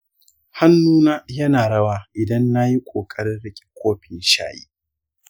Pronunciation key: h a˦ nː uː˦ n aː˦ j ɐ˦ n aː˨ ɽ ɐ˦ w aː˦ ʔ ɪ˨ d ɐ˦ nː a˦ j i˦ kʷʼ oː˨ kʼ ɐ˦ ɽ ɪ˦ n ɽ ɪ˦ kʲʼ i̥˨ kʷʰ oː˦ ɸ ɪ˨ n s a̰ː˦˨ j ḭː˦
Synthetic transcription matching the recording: h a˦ nː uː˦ n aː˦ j ɐ˦ n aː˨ ɽ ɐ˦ w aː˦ ʔ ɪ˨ d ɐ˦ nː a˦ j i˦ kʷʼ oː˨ kʼ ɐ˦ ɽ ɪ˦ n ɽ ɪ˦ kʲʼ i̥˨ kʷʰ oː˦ ɸ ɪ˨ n ʃ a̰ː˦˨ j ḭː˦